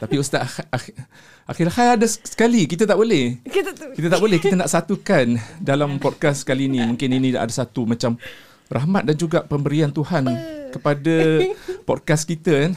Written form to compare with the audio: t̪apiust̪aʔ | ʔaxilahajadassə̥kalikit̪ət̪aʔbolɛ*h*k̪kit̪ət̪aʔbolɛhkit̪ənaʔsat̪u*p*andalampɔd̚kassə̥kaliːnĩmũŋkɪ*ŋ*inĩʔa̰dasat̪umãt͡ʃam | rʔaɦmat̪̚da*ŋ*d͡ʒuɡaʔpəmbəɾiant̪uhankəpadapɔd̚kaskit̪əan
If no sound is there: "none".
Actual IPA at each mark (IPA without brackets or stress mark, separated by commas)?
h, k, n, n